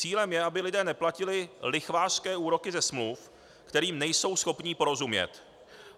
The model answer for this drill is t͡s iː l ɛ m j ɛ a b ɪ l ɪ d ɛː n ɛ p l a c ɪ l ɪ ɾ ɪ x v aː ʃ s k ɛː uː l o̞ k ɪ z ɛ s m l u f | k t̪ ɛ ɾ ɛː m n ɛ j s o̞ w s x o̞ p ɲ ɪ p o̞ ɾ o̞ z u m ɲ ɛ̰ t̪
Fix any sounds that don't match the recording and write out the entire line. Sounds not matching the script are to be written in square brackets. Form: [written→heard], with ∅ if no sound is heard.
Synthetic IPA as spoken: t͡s iː l ɛ m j ɛ a b ɪ l ɪ d ɛː n ɛ p l a c ɪ l ɪ [ɾ→l] ɪ x v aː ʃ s k ɛː uː [l→ɾ] o̞ k ɪ z ɛ s m l u f | k t̪ ɛ ɾ [ɛː→iː] m n ɛ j s o̞ w s x o̞ p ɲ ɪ p o̞ ɾ o̞ z u m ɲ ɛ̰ t̪